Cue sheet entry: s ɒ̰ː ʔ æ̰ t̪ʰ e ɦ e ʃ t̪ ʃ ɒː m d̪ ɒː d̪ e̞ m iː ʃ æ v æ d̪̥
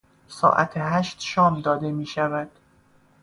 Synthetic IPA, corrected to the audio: s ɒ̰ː ʔ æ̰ t̪ʰ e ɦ æ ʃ t̪ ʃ ɒː m d̪ ɒː d̪ e̞ m iː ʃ æ v æ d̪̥